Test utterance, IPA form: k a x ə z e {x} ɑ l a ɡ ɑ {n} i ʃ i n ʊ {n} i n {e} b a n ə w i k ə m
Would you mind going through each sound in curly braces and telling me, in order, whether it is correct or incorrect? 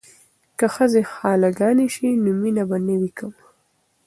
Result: correct, correct, incorrect, incorrect

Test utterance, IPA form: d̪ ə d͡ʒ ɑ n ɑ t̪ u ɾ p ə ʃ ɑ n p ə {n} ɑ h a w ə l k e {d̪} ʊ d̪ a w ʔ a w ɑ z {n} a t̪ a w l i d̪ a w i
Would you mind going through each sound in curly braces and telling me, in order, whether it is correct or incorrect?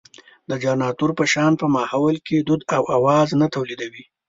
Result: incorrect, correct, correct

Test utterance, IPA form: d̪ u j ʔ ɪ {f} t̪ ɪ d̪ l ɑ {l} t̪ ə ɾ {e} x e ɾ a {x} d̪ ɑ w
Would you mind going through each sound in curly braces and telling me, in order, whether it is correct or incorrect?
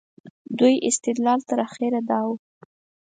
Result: incorrect, correct, incorrect, incorrect

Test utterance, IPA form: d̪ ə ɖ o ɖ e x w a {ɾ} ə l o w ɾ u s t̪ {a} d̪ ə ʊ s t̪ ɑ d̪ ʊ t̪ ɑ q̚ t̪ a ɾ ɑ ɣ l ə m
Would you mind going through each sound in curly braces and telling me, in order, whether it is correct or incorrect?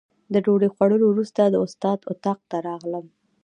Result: incorrect, correct

